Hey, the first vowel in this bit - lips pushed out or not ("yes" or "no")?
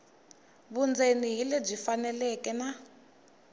yes